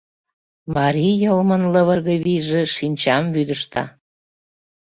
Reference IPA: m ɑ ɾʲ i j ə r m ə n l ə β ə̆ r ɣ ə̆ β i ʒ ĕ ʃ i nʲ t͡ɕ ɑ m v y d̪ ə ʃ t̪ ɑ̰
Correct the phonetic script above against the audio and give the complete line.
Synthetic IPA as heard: m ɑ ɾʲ i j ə l m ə n l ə β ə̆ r ɣ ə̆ β i ʒ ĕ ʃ i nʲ t͡ɕ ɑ m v y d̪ ə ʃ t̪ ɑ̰